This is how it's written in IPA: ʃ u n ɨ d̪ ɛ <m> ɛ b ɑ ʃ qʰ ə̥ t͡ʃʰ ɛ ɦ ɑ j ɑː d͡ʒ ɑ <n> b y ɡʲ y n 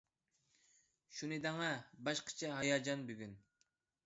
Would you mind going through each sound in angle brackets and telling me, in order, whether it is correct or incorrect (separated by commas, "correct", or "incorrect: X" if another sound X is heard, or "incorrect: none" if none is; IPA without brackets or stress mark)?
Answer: incorrect: ŋ, correct